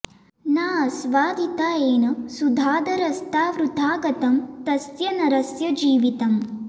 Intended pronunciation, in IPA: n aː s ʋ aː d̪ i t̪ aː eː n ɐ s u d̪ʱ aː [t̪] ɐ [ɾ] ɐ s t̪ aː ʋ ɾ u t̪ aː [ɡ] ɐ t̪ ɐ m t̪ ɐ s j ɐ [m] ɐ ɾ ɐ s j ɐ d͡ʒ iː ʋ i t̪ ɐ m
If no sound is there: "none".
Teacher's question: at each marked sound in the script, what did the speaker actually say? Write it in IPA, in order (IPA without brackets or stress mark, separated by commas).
d̪, ɾ, ɡ, n